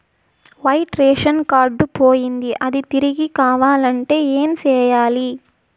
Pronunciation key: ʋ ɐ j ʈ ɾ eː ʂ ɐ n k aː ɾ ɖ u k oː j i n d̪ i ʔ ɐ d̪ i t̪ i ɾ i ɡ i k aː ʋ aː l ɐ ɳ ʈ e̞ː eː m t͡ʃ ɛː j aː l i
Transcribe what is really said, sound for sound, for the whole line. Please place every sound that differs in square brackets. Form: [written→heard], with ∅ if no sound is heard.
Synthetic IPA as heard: ʋ ɐ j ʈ ɾ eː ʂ ɐ n k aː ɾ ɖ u [k→p] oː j i n d̪ i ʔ ɐ d̪ i t̪ i ɾ i ɡ i k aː ʋ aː l ɐ ɳ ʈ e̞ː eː m t͡ʃ ɛː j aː l i